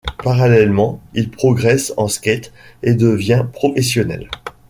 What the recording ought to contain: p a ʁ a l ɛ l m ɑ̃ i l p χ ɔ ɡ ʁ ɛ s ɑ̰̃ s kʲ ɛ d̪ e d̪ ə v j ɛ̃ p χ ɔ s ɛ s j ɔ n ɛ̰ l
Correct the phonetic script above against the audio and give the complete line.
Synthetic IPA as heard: p a ʁ a l ɛ l m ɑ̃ i l p χ ɔ ɡ ʁ ɛ s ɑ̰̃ s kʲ ɛ t̪ e d̪ ə v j ɛ̃ p χ ɔ f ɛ s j ɔ n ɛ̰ l